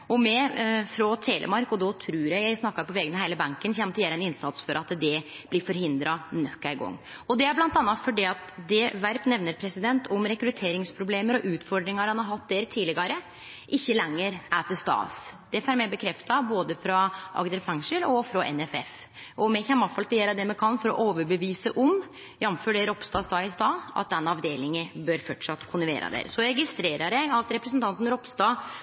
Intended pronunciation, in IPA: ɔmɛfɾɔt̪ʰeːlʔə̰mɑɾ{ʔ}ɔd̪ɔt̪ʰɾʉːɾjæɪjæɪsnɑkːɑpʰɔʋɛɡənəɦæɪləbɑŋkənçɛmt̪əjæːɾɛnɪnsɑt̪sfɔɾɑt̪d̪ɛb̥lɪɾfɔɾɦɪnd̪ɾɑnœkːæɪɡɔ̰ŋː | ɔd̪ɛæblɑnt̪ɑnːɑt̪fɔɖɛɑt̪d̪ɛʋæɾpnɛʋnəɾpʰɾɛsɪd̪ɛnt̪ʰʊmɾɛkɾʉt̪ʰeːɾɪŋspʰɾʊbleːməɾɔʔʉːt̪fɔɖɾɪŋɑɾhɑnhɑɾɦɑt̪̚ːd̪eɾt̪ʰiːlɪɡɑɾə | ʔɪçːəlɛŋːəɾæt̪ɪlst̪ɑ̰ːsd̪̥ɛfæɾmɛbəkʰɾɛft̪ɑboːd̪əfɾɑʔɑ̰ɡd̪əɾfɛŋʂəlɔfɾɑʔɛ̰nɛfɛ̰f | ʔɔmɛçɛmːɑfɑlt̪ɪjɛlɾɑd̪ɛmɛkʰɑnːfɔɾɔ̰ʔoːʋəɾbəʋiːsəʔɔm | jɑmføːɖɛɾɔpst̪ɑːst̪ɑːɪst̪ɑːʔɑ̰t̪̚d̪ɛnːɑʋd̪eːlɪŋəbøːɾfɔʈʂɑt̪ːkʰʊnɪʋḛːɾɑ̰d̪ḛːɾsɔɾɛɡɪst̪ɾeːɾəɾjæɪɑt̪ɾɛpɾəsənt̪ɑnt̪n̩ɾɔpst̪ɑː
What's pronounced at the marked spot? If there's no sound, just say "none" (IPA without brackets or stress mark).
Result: k